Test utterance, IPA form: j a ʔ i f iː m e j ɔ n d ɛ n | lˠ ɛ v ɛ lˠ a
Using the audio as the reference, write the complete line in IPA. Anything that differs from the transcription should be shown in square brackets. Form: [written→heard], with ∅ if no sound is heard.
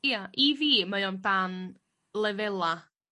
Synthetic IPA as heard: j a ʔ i [f→v] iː m [e→a] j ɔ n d [ɛ→a] n | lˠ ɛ v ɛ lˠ a